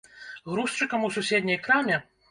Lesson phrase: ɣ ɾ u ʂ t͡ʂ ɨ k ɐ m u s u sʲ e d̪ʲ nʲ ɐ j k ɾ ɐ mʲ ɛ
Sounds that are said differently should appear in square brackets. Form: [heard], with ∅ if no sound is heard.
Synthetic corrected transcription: ɣ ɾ u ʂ t͡ʂ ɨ k ɐ m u s u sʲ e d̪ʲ nʲ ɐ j k ɾ [a] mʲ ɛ